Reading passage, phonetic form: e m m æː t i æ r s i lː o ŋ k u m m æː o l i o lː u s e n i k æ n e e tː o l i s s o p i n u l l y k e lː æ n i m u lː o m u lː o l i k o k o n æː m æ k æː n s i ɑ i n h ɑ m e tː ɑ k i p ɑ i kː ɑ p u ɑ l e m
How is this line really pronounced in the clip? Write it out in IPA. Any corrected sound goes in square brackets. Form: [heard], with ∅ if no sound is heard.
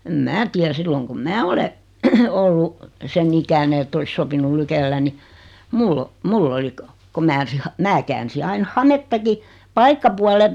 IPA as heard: e m m æː t i æ r s i lː o ŋ k u m m æː o l [e] o lː u s e n i k æ n e e tː o l i s s o p i n u l l y k e lː æ n i m u lː o m u lː o l i k o k o [m] æː m æ k æː n s i ɑ i n h ɑ m e tː ɑ k i p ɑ i kː ɑ p u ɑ l e m